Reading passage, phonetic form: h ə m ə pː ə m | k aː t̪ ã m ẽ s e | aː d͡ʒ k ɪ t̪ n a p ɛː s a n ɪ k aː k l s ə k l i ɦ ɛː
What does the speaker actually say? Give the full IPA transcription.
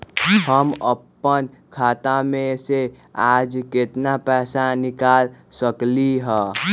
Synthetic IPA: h ə m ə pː ə n | kʰ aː t̪ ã m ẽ s e | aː d͡ʒ k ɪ t̪ n a p ɛː s a n ɪ k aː l s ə k l i ɦ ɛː